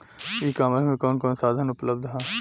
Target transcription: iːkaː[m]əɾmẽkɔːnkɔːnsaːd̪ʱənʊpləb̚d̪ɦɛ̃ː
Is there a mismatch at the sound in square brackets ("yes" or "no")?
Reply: no